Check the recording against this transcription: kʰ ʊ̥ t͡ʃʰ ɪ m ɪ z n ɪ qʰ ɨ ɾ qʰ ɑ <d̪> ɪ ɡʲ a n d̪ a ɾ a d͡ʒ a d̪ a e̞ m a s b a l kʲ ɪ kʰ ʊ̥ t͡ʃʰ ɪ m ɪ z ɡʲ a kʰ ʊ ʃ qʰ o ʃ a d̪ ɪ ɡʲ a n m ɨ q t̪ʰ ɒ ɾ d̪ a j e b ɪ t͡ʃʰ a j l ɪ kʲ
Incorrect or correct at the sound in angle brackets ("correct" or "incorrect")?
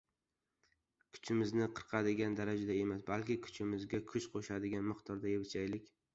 correct